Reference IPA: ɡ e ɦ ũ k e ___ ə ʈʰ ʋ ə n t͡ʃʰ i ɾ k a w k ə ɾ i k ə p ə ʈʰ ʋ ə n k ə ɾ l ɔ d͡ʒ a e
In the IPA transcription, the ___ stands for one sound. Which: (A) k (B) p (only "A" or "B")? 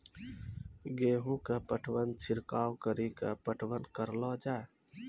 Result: B